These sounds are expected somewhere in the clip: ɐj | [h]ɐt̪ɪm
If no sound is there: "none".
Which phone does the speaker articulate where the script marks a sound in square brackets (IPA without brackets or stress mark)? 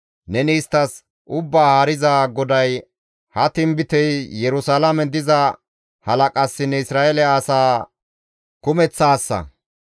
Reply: h